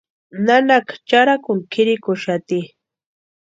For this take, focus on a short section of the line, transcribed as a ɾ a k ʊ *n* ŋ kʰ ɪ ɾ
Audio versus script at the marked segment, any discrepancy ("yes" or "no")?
yes